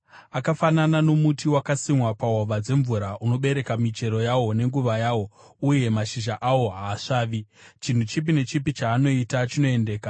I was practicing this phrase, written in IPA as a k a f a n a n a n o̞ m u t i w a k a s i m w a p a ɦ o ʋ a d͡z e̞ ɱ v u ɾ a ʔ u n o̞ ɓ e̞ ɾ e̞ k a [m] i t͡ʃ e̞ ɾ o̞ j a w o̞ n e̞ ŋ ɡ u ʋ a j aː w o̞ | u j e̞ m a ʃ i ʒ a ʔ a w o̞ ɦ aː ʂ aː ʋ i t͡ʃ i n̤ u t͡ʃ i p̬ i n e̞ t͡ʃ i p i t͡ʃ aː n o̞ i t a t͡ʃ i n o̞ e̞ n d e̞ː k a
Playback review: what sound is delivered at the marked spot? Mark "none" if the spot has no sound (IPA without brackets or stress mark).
m